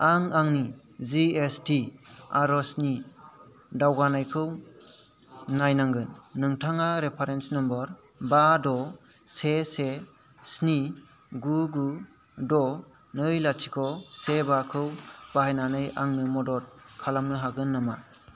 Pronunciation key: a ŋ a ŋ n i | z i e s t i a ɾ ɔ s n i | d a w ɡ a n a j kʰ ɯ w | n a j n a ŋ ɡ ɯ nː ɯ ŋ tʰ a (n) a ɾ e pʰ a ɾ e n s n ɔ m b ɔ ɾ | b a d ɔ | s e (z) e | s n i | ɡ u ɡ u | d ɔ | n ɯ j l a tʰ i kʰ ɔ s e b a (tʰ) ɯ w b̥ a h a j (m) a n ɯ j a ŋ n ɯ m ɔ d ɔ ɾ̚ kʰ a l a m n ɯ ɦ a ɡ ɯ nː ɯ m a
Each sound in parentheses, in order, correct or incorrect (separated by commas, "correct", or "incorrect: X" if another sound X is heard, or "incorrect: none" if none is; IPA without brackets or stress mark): incorrect: ŋ, incorrect: s, incorrect: kʰ, incorrect: n